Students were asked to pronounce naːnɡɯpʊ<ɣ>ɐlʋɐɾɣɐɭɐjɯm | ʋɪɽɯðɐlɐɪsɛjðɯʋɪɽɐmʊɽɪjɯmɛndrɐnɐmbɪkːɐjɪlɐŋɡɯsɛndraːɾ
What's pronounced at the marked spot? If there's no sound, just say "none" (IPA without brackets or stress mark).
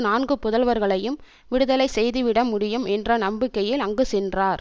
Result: ð